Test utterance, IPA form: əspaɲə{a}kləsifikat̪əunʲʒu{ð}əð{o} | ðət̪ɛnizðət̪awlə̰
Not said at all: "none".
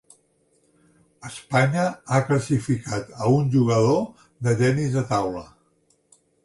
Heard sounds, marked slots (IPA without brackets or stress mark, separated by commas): a, ɣ, o